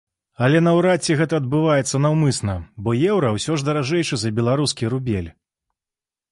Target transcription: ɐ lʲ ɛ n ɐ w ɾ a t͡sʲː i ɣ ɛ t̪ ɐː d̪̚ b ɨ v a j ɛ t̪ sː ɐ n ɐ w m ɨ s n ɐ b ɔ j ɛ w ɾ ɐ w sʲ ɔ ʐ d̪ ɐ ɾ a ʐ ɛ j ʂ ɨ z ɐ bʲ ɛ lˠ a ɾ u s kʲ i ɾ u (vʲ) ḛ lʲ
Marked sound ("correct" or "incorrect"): incorrect